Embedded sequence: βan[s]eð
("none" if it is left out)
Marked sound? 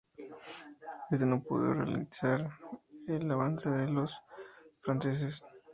s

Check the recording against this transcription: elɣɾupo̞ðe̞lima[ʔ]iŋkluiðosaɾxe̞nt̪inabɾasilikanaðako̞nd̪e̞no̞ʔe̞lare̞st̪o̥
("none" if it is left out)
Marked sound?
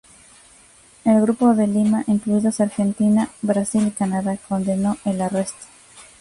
ʔ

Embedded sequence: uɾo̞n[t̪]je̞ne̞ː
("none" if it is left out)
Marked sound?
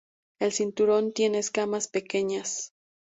t̪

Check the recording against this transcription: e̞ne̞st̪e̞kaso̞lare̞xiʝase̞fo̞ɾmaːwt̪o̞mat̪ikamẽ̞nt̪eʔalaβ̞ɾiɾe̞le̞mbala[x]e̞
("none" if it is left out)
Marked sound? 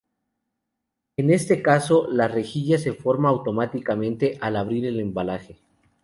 x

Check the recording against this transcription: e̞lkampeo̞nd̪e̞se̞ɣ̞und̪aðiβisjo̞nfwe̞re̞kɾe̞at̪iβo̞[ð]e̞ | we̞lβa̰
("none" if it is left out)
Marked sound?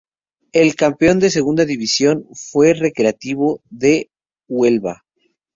ð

